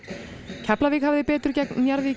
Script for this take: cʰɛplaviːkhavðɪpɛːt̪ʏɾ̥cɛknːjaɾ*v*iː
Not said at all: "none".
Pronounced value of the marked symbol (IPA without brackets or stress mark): v